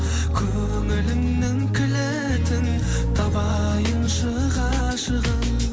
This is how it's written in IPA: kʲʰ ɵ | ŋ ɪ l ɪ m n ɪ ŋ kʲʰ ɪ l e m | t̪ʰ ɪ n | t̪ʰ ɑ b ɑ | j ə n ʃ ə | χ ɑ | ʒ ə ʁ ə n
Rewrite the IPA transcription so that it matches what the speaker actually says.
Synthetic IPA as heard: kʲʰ ɵ | ŋ ɪ l ɪ m n ɪ ŋ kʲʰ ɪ l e | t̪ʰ ɪ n | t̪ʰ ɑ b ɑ | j ə n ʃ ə | ʁ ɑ | ʃ ə ʁ ə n

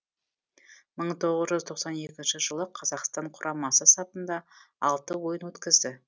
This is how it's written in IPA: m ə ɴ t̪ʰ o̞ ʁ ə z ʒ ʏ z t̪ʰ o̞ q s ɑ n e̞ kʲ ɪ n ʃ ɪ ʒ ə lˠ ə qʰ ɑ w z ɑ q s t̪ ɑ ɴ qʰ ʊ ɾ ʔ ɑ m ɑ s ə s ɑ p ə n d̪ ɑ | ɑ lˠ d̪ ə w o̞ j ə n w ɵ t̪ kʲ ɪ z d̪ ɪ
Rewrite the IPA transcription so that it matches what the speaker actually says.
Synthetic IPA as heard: m ə ɴ t̪ʰ o̞ ʁ ə z ʒ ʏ z t̪ʰ o̞ q s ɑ n e̞ kʲ ɪ n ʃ ɪ ʒ ə lˠ ə qʰ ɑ z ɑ q s t̪ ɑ ɴ qʰ ʊ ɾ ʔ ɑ m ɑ s ə s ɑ p ə n d̪ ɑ | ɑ lˠ t̪ ə w o̞ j ə n w ɵ t̪ kʲ ɪ z d̪ ɪ

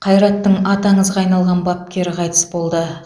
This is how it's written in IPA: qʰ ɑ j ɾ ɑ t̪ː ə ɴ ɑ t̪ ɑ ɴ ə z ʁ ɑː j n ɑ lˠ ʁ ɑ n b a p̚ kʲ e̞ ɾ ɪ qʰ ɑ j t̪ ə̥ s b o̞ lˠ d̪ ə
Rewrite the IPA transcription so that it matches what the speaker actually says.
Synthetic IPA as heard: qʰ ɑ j ɾ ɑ t̪ː ə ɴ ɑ t̪ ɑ ɴ ə z ʁ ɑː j n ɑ lˠ ʁ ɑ n b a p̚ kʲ e̞ ɾ ɪ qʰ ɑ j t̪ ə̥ s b o̞ lˠ d̪ ə

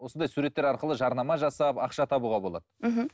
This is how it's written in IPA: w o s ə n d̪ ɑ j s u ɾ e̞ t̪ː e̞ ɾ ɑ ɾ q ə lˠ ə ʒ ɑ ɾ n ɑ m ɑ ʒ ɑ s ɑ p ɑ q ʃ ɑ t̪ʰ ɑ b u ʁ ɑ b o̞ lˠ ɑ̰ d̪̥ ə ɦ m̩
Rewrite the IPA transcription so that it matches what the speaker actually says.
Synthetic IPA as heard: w o s ə n d̪ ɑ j s u ɾ e̞ t̪ː e̞ ɾ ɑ ɾ q ə lˠ ə ʒ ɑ ɾ n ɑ m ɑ ʒ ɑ s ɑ p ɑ q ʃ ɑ t̪ʰ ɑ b u ʁ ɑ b o̞ lˠ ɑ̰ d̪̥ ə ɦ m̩

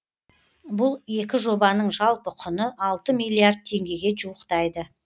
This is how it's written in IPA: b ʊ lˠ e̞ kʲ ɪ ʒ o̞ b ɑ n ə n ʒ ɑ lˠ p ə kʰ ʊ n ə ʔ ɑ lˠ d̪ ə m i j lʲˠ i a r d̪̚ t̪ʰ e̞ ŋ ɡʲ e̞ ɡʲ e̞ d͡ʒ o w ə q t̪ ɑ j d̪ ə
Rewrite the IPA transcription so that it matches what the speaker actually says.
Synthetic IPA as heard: b ʊ lˠ e̞ kʲ ɪ ʒ o̞ b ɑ n ə ɴ ʒ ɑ lˠ p ə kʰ ʊ n ə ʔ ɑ lˠ t̪ ə m i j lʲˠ i a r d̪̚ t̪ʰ e̞ ŋ ɡʲ e̞ ɡʲ e̞ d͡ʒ u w ə q t̪ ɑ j d̪ ə

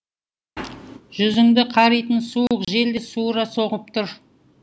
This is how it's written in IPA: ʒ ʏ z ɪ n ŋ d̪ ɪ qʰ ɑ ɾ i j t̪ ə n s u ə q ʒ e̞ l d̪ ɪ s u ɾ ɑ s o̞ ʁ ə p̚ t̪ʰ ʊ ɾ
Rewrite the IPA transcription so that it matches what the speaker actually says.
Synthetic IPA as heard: ʒ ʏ z ɪ ŋ d̪ ɪ qʰ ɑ ɾ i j t̪ ə n s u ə q ʒ e̞ l d̪ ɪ s u ɾ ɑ s o̞ ʁ ə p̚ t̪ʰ ʊ ɾ

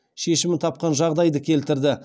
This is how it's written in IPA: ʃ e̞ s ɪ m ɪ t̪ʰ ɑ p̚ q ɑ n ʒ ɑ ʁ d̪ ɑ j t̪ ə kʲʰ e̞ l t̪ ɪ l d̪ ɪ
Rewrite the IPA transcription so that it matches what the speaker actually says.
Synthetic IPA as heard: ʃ e̞ ʃ ɪ m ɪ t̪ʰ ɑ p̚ q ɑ n ʒ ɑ ʁ d̪ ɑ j d̪ ə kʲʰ e̞ l t̪ ɪ ɾ d̪ ɪ

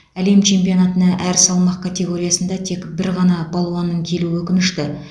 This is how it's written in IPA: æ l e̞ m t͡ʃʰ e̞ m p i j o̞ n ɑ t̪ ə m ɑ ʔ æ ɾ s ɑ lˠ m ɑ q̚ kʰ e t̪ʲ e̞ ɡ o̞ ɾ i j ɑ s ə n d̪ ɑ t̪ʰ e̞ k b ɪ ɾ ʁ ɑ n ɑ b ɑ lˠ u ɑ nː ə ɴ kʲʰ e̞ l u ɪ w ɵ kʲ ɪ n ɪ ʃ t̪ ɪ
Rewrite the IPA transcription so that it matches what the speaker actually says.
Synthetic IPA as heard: æ l e̞ m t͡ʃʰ e̞ m p i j o̞ n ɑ t̪ ə n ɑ ʔ æ ɾ s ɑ lˠ m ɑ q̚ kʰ a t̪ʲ e̞ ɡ o̞ ɾ i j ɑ s ə n d̪ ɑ t̪ʰ e̞ k b ɪ ɾ ʁ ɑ n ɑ b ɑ lˠ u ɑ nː ə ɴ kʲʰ e̞ l u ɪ w ɵ kʲ ɪ n ɪ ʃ t̪ ɪ

